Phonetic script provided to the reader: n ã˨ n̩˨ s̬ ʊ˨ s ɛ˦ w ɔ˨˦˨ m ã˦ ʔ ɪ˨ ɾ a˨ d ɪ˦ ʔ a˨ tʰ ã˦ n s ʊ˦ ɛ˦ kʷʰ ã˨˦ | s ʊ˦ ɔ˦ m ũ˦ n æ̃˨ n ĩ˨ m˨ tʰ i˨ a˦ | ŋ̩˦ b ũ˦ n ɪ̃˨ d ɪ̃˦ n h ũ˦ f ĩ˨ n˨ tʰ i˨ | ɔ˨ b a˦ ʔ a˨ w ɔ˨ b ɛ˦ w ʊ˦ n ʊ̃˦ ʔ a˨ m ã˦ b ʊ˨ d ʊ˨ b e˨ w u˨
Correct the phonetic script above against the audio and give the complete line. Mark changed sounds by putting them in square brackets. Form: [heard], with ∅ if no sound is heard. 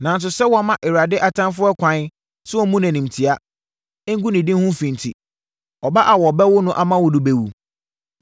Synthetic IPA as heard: n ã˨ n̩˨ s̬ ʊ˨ s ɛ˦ w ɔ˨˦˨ m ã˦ ʔ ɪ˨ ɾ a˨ d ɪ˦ ʔ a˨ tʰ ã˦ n [f] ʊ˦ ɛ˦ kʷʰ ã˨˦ | s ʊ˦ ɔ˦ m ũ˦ n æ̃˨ n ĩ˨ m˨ tʰ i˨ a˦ | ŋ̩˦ [ɡ] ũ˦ n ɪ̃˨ d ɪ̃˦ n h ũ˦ f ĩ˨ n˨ tʰ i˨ | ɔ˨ b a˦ ʔ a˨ w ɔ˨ b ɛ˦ w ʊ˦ n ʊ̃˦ ʔ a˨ m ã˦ [w] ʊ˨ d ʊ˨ b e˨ w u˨